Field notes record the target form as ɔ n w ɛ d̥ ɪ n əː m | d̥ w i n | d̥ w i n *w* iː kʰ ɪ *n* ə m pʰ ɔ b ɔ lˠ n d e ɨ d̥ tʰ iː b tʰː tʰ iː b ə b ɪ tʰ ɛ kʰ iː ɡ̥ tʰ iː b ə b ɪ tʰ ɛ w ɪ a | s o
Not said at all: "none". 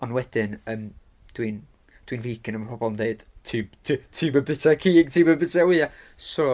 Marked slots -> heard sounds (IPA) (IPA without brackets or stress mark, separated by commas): v, n